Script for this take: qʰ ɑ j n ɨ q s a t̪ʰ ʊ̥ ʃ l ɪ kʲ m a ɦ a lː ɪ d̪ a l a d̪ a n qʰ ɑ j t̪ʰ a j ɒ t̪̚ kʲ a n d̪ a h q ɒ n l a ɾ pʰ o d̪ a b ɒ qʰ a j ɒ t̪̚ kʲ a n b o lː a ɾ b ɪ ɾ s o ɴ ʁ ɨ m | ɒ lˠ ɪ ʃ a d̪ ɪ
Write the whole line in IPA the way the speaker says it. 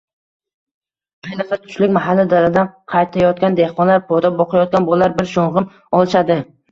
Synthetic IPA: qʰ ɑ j n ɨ q s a t̪ʰ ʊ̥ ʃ l ɪ kʲ m a ɦ a lː ɪ d̪ a l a d̪ a n qʰ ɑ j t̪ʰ a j ɒ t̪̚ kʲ a n d̪ e h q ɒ n l a ɾ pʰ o d̪ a b ɒ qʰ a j ɒ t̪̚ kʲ a n b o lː a ɾ b ɪ ɾ ʃ o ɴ ʁ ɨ m | ɒ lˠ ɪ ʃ a d̪ ɪ